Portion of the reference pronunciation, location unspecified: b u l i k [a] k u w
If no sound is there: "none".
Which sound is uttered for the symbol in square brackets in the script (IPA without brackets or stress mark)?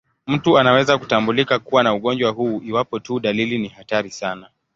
a